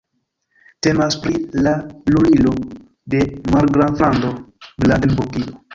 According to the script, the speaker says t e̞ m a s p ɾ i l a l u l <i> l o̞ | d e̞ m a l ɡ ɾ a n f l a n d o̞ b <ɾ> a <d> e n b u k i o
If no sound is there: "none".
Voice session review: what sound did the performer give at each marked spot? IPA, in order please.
i, l, d

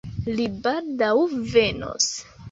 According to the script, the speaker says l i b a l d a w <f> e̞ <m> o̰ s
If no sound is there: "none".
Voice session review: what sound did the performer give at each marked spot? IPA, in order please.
v, n

